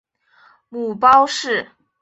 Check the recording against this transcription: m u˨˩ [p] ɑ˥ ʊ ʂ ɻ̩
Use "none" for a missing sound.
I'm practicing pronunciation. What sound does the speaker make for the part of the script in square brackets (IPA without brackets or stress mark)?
p